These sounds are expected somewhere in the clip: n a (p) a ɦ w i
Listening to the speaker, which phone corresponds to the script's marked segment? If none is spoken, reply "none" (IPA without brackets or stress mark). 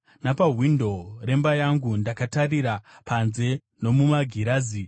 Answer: p